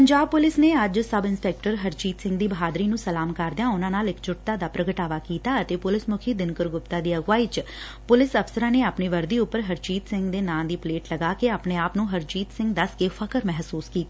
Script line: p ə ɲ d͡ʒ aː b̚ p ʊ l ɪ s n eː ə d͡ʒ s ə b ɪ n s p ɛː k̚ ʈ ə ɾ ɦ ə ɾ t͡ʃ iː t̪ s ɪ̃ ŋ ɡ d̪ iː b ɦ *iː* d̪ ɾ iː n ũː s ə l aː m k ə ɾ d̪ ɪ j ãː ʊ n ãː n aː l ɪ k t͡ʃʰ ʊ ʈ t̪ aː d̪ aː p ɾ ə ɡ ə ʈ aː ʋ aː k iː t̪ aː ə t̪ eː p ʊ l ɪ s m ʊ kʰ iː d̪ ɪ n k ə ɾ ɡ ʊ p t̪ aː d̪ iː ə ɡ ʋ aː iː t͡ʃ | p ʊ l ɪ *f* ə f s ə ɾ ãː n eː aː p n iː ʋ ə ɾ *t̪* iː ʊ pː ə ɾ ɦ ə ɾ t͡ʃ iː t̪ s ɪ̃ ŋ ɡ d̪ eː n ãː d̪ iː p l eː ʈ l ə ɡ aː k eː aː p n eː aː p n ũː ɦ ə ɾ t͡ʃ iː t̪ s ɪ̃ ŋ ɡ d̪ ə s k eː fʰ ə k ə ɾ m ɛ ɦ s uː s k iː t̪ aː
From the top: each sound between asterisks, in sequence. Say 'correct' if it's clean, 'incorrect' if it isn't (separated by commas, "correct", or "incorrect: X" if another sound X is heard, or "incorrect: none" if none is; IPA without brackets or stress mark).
incorrect: aː, incorrect: s, incorrect: d̪